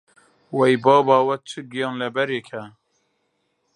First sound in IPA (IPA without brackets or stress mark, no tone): w